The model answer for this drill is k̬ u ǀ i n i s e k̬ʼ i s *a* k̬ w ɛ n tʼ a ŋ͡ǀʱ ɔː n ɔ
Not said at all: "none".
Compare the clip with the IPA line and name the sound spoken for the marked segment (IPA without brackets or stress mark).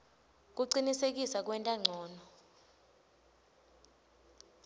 a